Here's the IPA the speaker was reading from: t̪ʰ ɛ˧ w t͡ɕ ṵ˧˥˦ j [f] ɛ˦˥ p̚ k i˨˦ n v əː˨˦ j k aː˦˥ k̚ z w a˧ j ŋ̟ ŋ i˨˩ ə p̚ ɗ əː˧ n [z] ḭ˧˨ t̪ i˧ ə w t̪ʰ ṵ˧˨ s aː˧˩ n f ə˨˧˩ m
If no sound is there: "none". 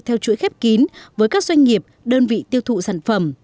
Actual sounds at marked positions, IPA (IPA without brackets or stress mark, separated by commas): x, v